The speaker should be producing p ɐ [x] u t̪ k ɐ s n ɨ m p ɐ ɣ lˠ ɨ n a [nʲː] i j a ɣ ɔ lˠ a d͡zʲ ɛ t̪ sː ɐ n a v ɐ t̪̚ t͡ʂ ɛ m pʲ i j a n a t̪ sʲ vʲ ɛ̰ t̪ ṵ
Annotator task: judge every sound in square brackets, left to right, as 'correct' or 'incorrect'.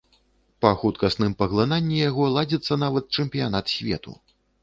correct, correct

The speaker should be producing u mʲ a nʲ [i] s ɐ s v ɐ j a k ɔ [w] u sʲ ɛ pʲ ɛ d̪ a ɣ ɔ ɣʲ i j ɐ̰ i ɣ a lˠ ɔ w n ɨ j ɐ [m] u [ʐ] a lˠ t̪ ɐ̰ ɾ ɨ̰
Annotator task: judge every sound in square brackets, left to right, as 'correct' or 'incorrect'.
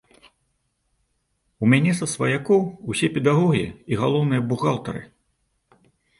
incorrect, correct, incorrect, incorrect

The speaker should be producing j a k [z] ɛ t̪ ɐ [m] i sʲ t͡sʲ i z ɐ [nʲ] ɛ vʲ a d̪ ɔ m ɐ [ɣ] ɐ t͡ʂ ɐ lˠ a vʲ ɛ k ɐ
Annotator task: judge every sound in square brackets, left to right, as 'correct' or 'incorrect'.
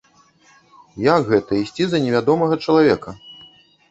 incorrect, incorrect, correct, correct

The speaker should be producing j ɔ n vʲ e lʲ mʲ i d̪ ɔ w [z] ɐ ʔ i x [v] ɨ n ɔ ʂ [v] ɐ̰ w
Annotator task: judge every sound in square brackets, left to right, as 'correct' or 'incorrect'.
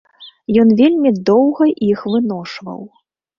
incorrect, correct, correct

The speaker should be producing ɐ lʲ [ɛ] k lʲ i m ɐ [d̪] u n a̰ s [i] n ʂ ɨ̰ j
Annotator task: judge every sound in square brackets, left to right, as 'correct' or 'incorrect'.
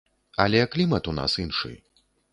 correct, incorrect, correct

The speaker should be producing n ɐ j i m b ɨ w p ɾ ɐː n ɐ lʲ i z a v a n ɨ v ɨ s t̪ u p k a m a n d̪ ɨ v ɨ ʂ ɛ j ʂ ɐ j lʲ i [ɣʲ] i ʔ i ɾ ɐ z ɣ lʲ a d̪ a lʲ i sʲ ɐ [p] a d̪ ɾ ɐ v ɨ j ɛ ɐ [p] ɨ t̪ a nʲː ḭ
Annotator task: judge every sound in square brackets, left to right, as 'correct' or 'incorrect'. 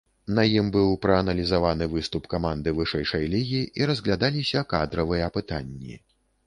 correct, incorrect, correct

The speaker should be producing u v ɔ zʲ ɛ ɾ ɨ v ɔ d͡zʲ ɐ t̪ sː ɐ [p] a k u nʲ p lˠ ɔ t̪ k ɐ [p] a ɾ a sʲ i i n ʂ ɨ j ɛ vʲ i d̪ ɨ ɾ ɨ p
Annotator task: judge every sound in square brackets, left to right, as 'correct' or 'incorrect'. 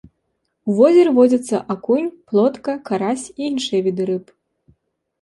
incorrect, incorrect

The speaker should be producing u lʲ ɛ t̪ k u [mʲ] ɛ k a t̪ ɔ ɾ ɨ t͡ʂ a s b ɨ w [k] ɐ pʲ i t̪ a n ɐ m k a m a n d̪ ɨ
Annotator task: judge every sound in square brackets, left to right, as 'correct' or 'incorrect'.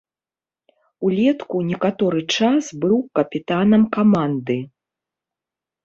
incorrect, correct

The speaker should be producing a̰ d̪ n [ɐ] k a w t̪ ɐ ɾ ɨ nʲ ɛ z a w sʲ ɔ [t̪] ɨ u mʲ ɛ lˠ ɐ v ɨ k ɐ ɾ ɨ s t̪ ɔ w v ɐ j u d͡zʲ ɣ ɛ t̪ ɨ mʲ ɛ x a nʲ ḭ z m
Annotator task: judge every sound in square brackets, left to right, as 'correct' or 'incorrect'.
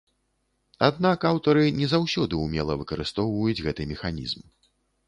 incorrect, incorrect

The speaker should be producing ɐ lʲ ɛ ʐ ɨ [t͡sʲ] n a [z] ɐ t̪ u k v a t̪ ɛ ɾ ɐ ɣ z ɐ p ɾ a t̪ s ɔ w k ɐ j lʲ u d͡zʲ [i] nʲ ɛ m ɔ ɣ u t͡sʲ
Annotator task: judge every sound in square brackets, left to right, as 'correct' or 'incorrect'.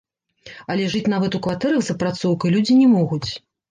correct, incorrect, correct

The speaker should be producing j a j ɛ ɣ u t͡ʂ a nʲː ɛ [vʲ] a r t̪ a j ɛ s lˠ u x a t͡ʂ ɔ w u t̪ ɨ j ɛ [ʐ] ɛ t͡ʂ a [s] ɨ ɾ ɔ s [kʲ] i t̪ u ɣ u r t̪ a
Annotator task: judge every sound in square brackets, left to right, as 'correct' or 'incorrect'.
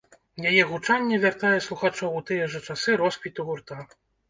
correct, correct, correct, incorrect

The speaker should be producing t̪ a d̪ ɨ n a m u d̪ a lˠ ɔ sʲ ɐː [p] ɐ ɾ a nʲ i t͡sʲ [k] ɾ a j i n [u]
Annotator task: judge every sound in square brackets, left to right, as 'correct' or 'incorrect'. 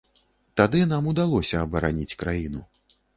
incorrect, correct, correct

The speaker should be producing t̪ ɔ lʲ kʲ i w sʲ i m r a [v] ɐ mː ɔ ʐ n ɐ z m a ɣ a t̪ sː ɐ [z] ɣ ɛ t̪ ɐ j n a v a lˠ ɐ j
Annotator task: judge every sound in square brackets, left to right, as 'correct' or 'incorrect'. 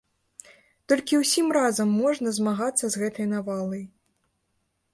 incorrect, correct

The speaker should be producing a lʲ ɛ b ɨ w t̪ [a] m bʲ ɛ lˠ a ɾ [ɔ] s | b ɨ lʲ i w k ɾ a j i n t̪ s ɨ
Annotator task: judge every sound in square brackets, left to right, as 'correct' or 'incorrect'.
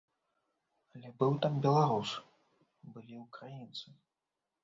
correct, incorrect

